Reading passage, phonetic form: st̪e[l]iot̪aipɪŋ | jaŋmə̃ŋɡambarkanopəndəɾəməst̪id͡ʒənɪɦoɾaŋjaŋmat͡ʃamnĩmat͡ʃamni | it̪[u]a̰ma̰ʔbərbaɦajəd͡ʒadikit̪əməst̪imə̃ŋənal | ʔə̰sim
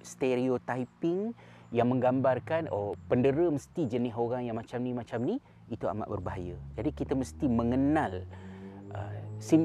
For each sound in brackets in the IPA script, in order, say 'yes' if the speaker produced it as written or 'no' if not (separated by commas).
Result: no, yes